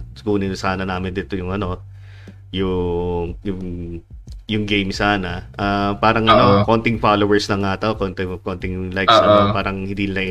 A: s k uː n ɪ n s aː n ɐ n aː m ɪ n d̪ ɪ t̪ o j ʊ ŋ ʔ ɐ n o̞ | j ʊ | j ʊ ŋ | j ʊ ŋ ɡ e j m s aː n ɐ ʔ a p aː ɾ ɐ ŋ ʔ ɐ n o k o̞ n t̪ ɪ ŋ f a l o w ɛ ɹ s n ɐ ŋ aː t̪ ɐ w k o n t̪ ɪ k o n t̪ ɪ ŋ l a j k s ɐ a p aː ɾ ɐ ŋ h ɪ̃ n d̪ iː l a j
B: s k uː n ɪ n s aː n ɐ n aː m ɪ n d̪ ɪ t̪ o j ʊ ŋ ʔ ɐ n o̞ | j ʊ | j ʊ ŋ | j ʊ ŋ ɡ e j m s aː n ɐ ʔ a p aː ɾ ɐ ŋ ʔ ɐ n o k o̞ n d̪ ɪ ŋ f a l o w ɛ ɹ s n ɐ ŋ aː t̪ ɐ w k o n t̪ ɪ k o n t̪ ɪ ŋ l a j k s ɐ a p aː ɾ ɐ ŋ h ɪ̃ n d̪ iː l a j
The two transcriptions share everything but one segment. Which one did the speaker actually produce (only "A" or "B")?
A